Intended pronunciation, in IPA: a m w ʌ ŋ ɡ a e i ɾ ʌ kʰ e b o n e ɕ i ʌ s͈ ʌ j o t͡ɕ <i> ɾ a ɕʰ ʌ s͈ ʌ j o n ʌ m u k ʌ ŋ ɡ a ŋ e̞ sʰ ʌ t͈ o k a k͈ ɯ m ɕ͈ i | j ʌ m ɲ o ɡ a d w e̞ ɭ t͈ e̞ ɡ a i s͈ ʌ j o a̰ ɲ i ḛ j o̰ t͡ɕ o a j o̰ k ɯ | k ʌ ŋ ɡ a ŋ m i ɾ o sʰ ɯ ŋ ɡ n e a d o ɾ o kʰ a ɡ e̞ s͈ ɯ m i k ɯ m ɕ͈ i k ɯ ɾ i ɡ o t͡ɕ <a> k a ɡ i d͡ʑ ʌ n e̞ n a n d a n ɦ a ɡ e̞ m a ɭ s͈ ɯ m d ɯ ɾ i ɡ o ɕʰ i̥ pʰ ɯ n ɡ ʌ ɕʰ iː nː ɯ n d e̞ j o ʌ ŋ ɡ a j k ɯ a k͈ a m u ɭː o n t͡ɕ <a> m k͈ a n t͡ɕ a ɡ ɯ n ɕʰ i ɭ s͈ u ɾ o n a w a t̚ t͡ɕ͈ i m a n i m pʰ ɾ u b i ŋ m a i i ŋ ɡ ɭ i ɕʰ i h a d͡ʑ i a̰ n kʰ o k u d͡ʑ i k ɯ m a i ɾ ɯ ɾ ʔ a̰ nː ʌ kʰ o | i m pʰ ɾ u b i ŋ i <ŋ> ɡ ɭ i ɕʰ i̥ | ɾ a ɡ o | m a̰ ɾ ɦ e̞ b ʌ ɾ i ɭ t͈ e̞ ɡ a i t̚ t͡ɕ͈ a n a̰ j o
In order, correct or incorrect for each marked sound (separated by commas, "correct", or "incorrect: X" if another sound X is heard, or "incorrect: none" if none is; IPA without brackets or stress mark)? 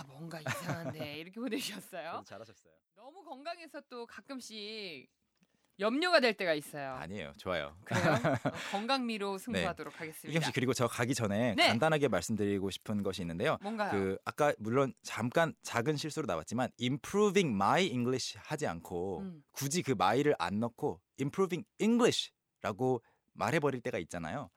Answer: incorrect: a, incorrect: ʌ, correct, correct